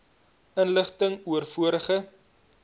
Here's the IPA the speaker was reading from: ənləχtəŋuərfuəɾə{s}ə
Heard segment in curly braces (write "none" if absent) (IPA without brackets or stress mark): χ